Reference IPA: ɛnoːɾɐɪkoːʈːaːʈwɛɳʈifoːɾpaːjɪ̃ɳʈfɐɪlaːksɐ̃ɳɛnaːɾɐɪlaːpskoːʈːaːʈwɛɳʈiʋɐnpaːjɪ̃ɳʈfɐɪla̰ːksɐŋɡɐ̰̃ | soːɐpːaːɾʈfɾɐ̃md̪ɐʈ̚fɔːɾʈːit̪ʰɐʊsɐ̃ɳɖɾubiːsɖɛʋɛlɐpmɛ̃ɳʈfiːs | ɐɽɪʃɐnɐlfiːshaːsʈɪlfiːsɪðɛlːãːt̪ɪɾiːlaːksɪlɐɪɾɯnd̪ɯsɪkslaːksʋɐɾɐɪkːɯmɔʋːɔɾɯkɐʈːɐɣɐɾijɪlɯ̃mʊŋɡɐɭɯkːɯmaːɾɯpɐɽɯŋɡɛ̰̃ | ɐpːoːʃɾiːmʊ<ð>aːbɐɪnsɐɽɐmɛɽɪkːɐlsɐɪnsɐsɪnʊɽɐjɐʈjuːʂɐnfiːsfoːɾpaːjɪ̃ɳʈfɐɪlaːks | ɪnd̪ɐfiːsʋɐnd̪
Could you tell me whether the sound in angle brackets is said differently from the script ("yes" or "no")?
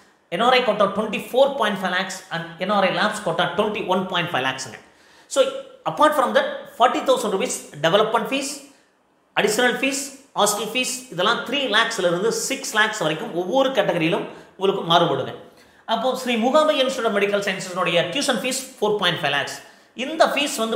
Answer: yes